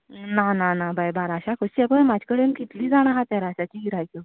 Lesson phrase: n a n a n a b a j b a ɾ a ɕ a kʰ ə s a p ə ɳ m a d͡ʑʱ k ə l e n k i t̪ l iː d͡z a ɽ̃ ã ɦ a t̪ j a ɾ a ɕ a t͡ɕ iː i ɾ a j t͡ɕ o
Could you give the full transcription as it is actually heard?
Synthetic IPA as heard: n a n a n a b a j b a ɾ a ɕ a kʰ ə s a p ə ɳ m a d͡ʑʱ k ə ɽ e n k i t̪ l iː d͡z a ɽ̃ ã ɦ a t̪ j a ɾ a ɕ a t͡ɕ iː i ɾ a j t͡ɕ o